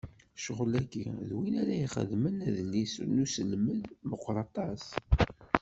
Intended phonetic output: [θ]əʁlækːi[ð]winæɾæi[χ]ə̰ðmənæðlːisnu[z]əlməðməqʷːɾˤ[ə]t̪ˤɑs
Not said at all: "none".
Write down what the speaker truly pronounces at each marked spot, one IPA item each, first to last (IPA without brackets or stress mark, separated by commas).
ʃ, ð, χ, s, ɑ